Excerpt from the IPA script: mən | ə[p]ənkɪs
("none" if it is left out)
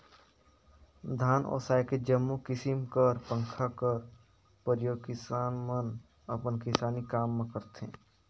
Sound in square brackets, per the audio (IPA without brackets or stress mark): p